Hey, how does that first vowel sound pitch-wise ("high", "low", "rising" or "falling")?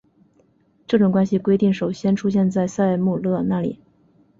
falling